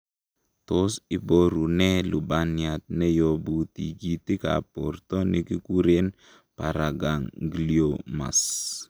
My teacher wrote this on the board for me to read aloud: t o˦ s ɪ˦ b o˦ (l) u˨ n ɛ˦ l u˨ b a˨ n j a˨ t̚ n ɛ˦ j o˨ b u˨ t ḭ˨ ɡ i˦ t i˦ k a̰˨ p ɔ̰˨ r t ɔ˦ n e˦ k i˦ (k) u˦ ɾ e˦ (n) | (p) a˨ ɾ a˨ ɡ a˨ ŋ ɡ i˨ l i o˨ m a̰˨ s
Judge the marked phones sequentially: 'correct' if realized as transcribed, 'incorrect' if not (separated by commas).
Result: incorrect, correct, correct, correct